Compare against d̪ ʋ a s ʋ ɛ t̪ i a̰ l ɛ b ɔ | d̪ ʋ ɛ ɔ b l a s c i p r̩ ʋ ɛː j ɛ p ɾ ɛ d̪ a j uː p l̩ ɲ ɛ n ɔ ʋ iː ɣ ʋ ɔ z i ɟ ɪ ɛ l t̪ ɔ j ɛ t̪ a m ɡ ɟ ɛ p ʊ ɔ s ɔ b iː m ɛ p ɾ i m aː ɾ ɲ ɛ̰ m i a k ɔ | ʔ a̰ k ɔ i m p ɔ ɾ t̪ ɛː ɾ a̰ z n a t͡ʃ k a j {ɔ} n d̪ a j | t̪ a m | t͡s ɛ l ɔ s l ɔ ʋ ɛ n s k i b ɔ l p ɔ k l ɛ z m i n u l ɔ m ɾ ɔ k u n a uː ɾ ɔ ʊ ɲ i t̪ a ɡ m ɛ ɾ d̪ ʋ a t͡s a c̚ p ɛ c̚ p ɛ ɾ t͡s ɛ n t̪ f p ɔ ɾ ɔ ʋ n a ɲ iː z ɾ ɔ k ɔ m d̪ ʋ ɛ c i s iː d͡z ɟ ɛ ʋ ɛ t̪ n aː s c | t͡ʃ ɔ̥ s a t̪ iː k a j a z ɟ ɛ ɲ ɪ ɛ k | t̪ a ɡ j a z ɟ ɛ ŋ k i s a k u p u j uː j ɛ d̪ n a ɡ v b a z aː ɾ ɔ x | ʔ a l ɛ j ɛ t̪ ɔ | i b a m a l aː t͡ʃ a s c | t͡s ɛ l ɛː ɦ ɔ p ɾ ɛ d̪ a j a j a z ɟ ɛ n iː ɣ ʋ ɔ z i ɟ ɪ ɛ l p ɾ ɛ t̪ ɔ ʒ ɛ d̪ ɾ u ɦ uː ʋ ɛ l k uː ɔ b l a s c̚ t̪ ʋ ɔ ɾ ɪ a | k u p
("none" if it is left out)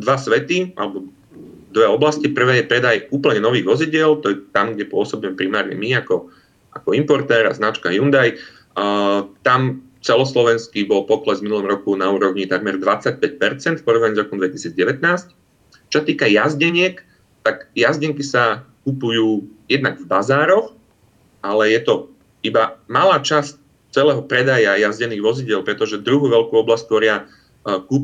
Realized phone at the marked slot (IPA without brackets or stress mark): u